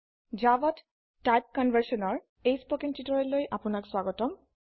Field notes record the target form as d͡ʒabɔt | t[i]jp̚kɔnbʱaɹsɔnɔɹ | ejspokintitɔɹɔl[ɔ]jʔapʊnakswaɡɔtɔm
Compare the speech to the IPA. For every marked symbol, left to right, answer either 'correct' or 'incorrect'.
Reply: incorrect: a, incorrect: o

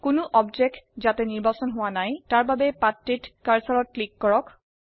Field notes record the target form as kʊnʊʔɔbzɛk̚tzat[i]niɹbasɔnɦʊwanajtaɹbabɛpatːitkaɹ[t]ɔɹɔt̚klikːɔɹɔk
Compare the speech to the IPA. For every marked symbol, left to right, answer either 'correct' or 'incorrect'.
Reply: incorrect: ɛ, incorrect: s

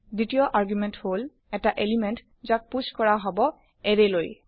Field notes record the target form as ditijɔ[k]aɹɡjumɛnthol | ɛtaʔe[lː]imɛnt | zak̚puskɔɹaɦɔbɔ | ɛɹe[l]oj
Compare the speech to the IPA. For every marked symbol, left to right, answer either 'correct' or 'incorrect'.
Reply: incorrect: ʔ, incorrect: l, correct

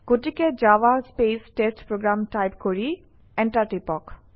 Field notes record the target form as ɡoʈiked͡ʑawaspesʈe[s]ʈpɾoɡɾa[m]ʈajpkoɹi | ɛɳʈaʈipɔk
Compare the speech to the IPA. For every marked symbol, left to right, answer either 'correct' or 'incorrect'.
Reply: correct, correct

